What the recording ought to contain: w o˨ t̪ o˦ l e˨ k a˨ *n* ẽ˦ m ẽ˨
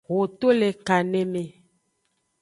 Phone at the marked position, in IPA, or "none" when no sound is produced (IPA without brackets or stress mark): n